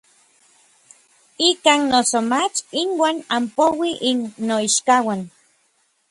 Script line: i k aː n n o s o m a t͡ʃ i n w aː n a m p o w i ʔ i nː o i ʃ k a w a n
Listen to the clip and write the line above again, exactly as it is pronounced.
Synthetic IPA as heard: i k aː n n o s o m a t͡ʃ i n w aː n a m p o w i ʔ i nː o i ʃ k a w a n

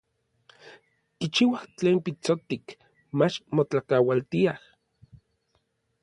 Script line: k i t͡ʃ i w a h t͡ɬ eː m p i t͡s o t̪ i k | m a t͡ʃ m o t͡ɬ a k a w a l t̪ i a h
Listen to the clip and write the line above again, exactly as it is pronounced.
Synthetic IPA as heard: k i t͡ʃ i w a h t͡ɬ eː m p i t͡s o t̪ i k | m a t͡ʃ m o t͡ɬ a k a w a l t̪ i a h

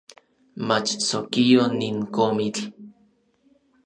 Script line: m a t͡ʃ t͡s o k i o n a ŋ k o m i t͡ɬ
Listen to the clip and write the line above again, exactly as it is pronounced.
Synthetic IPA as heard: m a t͡ʃ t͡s o k i o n i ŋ k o m i t͡ɬ

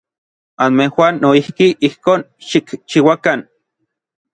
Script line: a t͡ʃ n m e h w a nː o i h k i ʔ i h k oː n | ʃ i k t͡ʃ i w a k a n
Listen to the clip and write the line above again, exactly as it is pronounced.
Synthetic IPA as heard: a n m e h w a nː o i h k i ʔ i h k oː n | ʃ i k t͡ʃ i w a k a n

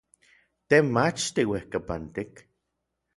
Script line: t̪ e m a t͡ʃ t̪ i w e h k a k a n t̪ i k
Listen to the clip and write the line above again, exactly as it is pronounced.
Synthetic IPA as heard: t̪ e m a t͡ʃ t̪ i w e h k a p a n t̪ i k

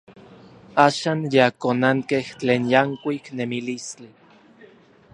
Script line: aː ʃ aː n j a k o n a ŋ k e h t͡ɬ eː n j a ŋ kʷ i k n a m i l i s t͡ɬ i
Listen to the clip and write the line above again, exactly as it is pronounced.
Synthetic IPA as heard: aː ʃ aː n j a k o n a ŋ k e h t͡ɬ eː n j a ŋ kʷ i k n e m i l i s t͡ɬ i

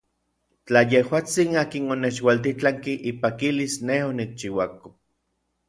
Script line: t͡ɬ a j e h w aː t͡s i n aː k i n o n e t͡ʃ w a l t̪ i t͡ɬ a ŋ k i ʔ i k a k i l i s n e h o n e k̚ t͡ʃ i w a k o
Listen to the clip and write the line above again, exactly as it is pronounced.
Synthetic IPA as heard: t͡ɬ a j e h w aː t͡s i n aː k i n o n e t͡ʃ w a l t̪ i t͡ɬ a ŋ k i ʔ i p a k i l i s n e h o n i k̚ t͡ʃ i w a k o

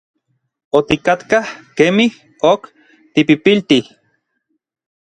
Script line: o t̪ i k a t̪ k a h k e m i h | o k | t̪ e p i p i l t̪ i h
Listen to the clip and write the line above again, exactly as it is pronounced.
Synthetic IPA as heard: o t̪ i k a t̪ k a h k e m i h | o k | t̪ i p i p i l t̪ i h

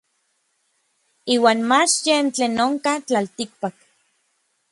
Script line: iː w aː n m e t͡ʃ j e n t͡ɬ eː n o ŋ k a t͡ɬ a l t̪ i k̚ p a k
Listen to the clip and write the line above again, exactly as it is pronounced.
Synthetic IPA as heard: iː w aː n m a t͡ʃ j e n t͡ɬ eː n o ŋ k a t͡ɬ a l t̪ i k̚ p a k

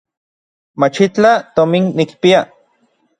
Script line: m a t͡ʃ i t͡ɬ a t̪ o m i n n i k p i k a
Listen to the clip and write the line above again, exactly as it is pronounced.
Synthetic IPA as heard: m a t͡ʃ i t͡ɬ a t̪ o m i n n i k p i a

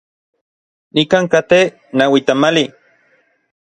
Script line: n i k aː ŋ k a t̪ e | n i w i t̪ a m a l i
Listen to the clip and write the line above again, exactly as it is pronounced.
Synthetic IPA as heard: n i k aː ŋ k a t̪ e | n a w i t̪ a m a l i

